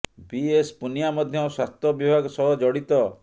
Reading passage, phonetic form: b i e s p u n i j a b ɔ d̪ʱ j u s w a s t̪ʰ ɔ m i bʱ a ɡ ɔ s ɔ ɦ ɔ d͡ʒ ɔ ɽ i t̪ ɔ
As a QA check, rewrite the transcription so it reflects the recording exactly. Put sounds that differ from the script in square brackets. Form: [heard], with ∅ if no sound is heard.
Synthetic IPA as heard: b i e s p u n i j a [m] ɔ d̪ʱ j [ɔ] s w a s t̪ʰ ɔ [b] i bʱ a ɡ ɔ s ɔ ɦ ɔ d͡ʒ ɔ ɽ i t̪ ɔ